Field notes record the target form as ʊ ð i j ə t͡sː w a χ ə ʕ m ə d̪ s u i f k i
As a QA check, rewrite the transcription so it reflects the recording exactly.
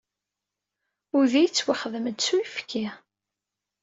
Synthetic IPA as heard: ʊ ð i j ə t͡sː w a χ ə ð m ə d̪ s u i f k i